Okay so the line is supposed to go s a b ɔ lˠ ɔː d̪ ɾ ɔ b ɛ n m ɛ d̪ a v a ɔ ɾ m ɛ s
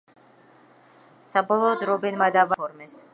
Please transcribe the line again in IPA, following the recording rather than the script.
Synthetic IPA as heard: s a b ɔ lˠ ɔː d̪ ɾ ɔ b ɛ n m a d̪ a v a ɔ ɾ m ɛ s